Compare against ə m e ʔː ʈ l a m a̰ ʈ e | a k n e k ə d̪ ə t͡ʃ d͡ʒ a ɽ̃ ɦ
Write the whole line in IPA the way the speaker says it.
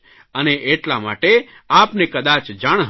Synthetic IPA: ə n e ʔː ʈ l a m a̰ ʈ e | a p n e k ə d̪ a t͡ʃ d͡ʒ a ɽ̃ ɦ